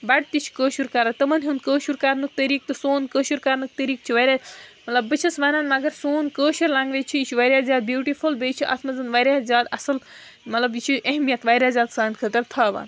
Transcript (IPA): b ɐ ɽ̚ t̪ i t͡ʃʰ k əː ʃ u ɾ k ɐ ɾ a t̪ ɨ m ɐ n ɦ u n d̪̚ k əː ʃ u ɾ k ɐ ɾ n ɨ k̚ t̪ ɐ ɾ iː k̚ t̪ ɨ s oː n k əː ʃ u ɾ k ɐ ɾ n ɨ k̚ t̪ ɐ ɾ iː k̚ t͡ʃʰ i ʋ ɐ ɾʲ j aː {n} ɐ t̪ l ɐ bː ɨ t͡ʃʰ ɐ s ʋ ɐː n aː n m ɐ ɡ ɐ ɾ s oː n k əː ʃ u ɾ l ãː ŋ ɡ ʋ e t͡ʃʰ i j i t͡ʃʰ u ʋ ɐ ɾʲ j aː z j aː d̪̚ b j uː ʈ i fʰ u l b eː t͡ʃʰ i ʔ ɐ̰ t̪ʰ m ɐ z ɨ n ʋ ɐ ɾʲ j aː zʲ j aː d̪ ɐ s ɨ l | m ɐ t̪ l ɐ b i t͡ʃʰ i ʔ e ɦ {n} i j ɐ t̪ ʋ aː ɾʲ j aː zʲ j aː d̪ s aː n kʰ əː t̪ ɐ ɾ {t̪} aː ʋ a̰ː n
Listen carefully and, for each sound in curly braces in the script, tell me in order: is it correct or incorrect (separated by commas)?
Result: incorrect, incorrect, incorrect